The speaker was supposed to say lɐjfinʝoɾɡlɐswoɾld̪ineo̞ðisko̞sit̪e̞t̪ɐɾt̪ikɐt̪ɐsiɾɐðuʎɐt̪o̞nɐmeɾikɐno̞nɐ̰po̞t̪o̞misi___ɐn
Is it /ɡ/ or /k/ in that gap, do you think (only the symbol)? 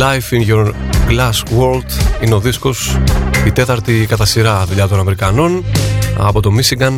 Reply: ɡ